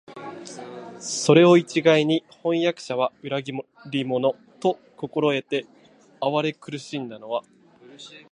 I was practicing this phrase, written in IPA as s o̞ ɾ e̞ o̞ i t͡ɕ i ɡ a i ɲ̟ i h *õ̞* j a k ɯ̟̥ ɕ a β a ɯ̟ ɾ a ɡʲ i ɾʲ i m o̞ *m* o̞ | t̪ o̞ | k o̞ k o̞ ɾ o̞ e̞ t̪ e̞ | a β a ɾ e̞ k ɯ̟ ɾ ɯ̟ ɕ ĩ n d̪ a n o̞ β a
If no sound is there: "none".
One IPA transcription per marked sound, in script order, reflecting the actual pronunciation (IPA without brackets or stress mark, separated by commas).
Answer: õ̞, n